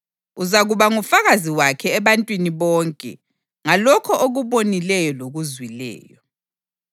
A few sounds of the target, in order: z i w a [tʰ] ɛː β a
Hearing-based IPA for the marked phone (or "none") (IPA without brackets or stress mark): kʰ